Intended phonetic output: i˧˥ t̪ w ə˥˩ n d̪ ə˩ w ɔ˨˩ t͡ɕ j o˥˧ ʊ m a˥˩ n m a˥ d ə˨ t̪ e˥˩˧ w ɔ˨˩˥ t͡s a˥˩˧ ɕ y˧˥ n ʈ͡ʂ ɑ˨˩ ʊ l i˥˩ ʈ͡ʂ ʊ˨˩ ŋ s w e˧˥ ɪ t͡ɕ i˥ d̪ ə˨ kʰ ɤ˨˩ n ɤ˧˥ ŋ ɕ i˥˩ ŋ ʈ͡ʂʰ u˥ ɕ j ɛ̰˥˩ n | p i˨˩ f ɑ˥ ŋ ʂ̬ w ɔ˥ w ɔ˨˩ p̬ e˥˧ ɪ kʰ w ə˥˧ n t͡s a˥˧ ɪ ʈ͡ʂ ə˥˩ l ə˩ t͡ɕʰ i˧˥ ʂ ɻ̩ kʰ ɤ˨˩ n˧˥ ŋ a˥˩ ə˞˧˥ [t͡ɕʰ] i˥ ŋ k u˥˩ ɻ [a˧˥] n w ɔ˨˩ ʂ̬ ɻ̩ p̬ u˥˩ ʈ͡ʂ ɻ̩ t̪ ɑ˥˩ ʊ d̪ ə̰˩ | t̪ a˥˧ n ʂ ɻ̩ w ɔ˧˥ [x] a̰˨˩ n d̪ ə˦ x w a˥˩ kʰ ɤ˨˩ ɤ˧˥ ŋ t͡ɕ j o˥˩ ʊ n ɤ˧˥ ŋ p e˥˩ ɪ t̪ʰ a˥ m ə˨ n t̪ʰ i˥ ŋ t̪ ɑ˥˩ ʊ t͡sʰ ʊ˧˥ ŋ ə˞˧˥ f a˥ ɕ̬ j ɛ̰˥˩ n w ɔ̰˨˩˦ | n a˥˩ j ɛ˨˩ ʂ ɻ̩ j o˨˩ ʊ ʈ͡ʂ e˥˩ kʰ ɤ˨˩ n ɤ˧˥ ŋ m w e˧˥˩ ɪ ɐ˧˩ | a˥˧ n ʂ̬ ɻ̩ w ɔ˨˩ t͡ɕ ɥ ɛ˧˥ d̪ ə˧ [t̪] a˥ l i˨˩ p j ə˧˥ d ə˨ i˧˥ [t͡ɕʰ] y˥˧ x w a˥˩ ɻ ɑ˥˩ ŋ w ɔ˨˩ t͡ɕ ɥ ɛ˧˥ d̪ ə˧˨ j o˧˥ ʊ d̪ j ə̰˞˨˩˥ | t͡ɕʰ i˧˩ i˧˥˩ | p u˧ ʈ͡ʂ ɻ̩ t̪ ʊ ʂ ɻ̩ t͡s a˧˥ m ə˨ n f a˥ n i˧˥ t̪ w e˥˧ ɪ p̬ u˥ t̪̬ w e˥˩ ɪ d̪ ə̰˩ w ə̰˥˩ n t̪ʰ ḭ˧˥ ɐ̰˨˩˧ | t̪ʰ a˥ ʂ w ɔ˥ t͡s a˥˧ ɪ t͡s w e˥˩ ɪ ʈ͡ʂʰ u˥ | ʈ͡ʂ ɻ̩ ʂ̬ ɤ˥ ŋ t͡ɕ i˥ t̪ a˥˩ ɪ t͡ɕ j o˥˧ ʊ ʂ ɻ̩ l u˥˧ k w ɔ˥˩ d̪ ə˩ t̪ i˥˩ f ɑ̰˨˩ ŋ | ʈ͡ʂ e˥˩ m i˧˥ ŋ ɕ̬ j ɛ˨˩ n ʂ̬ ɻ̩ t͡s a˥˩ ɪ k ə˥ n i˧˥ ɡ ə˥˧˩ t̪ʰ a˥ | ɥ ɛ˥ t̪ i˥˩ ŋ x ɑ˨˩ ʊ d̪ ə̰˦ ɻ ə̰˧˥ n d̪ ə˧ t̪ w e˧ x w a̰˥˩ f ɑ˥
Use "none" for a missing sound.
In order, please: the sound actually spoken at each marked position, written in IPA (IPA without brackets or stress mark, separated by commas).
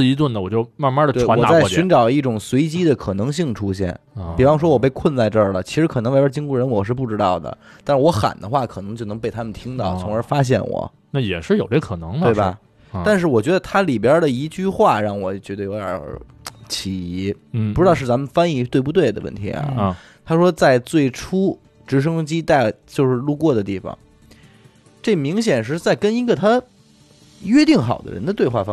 t͡ɕ, ə˧˥, x, t̪ʰ, t͡ɕ